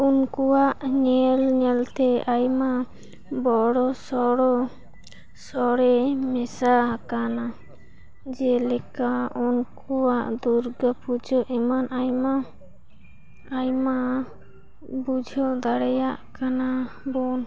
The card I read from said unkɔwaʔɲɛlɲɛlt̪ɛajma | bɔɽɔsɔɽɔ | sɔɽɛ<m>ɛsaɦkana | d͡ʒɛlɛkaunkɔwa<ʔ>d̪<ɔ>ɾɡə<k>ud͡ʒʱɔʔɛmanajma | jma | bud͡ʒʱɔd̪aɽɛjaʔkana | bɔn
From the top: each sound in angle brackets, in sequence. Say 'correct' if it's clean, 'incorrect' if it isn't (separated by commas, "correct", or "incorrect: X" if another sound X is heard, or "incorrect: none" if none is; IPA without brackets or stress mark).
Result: correct, correct, incorrect: u, incorrect: p